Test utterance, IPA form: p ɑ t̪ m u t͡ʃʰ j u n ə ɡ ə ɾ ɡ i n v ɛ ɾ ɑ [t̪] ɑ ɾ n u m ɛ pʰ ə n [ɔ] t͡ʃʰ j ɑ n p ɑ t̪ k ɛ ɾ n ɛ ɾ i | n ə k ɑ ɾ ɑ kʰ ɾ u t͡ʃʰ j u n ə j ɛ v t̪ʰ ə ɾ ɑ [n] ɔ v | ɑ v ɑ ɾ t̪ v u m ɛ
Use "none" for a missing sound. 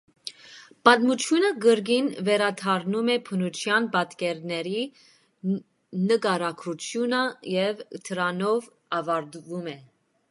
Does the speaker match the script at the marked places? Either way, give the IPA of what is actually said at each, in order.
t̪ʰ, u, n

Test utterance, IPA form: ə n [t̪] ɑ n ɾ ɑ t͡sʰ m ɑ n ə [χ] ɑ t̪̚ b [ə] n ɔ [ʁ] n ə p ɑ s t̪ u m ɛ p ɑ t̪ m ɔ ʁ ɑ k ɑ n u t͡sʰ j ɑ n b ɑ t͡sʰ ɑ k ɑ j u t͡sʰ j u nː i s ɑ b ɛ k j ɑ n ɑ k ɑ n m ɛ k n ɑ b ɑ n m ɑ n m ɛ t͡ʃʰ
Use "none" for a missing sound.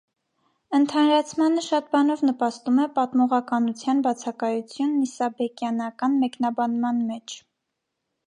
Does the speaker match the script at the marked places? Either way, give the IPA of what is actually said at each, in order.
t̪ʰ, ʃ, ɑ, v

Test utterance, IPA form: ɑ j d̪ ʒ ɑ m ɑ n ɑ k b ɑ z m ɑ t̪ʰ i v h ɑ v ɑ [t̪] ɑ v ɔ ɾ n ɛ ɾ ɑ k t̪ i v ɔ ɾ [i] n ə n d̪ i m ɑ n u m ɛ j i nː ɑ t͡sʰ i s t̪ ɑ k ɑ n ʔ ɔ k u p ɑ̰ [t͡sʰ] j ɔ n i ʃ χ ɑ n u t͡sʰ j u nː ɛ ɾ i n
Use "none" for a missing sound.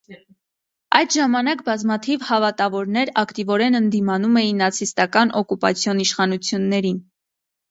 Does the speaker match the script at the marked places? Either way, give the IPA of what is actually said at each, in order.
t̪, ɛ, t͡sʰ

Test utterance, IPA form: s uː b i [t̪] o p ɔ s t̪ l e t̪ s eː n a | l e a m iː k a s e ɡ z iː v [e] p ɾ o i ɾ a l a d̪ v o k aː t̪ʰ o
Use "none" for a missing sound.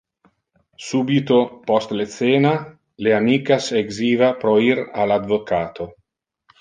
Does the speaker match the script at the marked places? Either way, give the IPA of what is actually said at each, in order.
t̪, a

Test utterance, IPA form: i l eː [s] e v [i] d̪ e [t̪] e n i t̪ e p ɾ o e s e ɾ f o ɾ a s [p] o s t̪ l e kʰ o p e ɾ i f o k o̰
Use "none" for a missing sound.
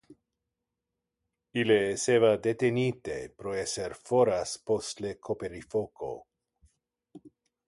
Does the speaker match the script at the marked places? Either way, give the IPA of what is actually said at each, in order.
s, a, t̪, p

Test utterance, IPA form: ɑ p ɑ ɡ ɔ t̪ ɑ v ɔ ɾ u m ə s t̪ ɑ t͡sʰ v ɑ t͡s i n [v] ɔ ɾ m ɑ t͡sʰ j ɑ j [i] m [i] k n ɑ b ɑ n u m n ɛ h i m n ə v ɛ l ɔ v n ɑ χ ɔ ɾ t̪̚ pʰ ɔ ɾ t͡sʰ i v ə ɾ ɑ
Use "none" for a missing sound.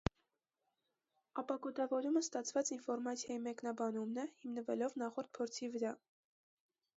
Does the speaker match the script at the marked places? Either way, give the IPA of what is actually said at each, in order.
f, i, ɛ

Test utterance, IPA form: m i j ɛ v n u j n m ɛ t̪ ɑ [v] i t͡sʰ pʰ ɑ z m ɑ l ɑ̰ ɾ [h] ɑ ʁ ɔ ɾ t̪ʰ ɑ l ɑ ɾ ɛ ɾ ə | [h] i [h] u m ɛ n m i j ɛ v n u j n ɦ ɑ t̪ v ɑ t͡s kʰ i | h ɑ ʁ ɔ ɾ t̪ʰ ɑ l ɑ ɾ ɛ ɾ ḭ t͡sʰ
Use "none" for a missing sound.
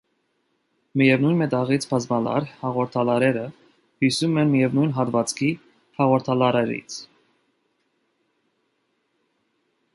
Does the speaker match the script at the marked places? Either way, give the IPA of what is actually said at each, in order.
ʁ, h, h, s

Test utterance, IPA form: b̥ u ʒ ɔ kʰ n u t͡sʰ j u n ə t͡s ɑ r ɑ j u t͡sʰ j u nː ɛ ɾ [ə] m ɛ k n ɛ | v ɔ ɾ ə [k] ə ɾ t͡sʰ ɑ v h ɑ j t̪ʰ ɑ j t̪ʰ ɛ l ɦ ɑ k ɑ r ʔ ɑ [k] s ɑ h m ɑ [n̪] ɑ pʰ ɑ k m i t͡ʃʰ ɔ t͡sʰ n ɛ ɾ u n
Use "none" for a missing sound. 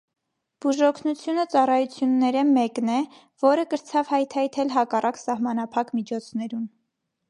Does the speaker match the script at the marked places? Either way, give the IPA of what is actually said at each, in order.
ə, k, k, n̪

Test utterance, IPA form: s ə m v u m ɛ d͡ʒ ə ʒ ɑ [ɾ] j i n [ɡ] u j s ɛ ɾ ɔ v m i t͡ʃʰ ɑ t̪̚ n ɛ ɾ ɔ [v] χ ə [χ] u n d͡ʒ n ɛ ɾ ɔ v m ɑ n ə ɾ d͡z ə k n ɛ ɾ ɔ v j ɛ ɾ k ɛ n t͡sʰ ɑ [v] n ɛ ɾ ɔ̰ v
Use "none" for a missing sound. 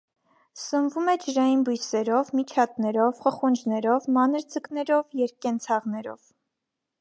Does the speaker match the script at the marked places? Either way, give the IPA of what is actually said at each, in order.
none, b, v, χ, ʁ

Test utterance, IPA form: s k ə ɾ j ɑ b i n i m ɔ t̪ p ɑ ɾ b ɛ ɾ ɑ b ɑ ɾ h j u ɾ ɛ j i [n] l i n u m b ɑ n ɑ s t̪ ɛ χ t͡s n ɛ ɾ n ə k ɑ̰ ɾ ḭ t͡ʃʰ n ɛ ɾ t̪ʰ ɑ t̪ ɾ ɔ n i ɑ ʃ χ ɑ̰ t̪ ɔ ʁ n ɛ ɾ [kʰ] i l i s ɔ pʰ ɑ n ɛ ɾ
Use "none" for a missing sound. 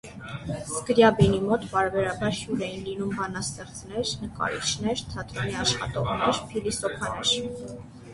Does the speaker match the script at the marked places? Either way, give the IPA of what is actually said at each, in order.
n, pʰ

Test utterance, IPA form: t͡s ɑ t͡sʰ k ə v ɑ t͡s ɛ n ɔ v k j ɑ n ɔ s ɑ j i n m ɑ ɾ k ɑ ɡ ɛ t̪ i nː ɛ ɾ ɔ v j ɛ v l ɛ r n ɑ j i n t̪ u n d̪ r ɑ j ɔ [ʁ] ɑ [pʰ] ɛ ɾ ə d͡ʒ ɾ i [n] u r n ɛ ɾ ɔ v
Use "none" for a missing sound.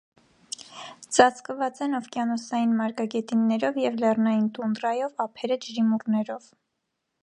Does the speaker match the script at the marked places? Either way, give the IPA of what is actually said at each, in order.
v, pʰ, m

